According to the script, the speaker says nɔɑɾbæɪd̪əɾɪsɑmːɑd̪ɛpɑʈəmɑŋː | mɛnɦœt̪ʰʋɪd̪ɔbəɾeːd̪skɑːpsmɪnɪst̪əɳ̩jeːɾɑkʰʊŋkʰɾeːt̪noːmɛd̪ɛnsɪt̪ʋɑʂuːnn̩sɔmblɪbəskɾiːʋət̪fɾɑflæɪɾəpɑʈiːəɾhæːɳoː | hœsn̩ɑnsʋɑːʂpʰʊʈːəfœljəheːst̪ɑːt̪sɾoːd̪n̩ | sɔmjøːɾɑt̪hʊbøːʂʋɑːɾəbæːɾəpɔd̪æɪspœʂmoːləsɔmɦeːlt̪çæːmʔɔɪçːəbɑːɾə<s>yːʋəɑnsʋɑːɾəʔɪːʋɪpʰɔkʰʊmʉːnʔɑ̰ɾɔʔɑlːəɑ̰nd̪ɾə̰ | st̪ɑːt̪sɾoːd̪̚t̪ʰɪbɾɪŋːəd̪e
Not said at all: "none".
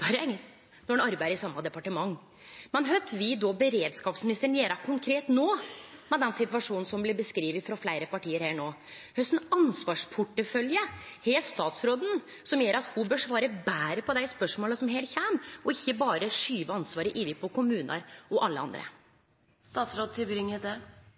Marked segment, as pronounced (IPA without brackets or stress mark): ʂ